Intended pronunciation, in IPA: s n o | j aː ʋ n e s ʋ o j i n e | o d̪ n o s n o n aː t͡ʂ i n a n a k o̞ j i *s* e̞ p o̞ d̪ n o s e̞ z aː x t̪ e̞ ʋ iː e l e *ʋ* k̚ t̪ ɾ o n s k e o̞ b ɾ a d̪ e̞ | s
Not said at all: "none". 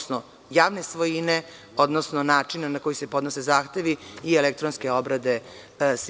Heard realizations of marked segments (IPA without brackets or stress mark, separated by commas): s, none